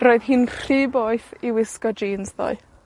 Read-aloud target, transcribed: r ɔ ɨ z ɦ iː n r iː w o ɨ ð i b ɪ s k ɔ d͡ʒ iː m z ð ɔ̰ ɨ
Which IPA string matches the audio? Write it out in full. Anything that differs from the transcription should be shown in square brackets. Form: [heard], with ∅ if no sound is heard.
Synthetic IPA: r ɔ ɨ [ð] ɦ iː n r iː [b] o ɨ [θ] i [w] ɪ s k ɔ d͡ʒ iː [n] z ð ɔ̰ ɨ